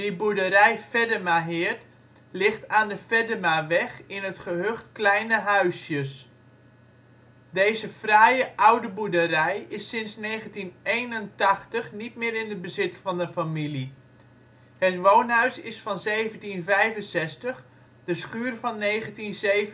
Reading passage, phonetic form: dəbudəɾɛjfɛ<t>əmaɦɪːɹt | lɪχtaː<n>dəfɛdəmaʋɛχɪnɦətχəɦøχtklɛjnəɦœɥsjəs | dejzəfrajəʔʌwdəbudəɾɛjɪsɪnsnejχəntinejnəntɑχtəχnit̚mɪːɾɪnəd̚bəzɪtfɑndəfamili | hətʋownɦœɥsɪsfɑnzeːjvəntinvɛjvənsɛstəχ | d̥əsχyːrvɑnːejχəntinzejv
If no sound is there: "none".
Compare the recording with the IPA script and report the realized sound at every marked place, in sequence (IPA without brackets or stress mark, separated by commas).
d, n